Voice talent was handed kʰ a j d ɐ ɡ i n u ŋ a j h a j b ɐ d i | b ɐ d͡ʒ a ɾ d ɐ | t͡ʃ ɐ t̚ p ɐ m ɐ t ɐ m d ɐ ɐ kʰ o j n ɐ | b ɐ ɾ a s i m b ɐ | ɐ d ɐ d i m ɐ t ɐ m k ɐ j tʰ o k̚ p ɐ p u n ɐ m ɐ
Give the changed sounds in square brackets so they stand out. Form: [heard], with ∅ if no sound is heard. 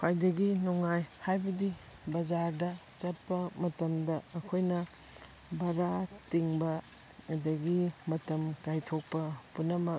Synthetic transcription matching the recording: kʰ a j d ɐ ɡ i n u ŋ a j h a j b ɐ d i | b ɐ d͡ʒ a ɾ d ɐ | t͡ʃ ɐ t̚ p ɐ m ɐ t ɐ m d ɐ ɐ kʰ o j n ɐ | b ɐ ɾ a [t] i [ŋ] b ɐ | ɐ d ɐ [ɡ] i m ɐ t ɐ m k [a] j tʰ o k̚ p ɐ p u n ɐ m ɐ